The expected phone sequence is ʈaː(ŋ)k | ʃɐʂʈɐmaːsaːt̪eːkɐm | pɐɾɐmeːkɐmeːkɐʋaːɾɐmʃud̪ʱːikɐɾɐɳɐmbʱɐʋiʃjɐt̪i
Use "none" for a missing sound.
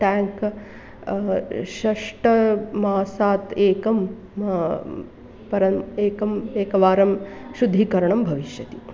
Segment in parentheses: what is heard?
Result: ŋ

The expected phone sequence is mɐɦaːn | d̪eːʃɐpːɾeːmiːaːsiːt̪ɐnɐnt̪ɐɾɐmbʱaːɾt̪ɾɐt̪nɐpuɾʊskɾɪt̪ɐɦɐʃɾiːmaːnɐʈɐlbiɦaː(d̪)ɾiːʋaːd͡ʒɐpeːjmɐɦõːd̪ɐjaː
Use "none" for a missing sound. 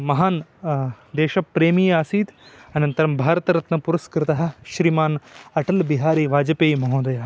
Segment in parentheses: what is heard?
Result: none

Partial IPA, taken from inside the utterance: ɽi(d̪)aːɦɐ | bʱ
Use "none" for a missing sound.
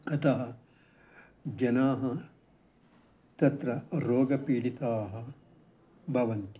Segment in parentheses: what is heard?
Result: t̪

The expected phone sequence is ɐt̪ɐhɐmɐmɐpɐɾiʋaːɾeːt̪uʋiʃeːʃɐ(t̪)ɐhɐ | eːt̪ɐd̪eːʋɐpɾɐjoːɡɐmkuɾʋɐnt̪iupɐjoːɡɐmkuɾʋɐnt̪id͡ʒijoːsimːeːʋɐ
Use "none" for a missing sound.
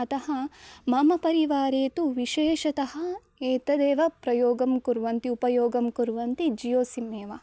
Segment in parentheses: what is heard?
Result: t̪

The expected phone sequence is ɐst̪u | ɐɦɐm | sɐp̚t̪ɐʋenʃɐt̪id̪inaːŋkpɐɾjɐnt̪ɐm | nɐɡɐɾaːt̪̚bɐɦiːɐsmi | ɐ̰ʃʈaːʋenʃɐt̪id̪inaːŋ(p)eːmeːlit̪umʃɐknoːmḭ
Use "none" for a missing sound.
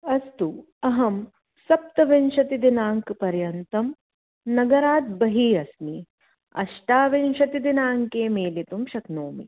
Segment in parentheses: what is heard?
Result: k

